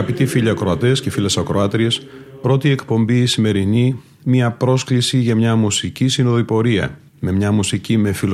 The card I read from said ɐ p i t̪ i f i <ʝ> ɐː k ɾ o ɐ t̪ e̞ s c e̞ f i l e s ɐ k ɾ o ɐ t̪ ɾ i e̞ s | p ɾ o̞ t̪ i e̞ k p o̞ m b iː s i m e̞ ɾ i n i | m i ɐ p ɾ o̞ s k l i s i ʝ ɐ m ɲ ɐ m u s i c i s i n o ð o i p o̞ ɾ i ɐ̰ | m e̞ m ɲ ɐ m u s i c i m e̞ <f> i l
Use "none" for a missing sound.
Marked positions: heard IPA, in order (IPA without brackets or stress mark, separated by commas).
ʎ, f